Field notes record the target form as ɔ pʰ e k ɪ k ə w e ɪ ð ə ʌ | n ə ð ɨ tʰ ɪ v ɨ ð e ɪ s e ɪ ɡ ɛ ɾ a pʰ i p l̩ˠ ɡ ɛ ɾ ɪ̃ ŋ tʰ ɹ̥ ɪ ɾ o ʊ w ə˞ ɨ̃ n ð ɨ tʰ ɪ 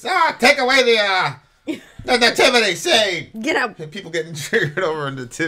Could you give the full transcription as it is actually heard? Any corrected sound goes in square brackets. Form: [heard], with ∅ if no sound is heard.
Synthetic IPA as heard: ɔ [tʰ] e [∅] ɪ k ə w e ɪ ð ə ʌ | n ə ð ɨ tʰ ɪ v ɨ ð e ɪ s e ɪ ɡ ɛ ɾ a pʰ i p l̩ˠ ɡ ɛ ɾ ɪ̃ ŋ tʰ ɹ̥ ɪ ɾ o ʊ [v] ə˞ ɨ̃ n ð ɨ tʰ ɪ